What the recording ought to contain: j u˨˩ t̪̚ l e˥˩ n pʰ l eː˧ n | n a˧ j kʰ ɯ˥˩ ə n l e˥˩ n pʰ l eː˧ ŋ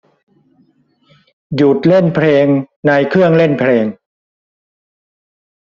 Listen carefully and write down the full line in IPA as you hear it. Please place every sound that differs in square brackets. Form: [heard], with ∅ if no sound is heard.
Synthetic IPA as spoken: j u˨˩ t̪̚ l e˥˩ n pʰ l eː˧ [ŋ] | n a˧ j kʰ ɯ˥˩ ə [ŋ] l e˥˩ n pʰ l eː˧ ŋ